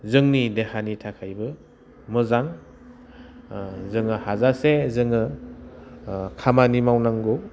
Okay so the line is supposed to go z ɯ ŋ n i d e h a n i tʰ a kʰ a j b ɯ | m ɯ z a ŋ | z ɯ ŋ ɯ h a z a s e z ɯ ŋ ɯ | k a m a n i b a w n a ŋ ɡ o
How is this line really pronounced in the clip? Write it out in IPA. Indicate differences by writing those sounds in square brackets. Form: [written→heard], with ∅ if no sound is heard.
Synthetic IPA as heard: z ɯ ŋ n i d e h a n i tʰ a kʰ a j b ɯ | m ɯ z a ŋ | z ɯ ŋ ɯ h a z a s e z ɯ ŋ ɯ | [k→kʰ] a m a n i [b→m] a w n a ŋ ɡ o